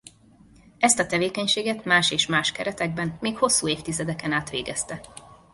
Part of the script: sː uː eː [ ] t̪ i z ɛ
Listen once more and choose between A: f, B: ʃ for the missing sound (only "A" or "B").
A